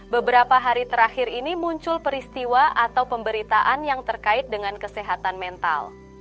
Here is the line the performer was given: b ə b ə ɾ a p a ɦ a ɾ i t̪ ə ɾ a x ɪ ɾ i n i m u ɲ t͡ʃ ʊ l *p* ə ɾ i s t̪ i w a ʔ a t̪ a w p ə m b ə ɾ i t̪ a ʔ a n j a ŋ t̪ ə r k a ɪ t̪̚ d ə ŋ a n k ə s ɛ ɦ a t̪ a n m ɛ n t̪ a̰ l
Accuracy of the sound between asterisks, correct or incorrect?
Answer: correct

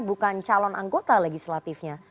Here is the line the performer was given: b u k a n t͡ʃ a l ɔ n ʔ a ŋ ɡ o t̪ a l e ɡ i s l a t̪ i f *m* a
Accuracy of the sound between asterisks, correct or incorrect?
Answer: incorrect: ɲ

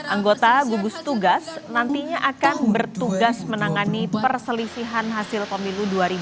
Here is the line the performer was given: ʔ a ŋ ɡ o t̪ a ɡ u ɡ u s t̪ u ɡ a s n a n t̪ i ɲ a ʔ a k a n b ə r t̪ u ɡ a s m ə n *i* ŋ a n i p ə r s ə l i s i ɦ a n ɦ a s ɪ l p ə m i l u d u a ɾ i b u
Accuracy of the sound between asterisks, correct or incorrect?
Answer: incorrect: a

